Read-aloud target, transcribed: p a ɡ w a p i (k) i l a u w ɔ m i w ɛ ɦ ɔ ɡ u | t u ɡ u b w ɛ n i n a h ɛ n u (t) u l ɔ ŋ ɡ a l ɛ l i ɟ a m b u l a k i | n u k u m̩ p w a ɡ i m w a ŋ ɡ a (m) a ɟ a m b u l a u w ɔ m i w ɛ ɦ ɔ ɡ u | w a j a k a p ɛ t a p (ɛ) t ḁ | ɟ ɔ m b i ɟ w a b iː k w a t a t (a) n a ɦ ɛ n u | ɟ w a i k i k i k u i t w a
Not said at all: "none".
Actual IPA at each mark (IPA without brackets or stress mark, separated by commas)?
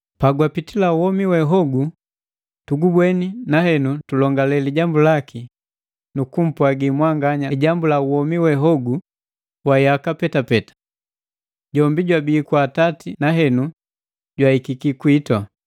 t, t, ɲ, ɛ, i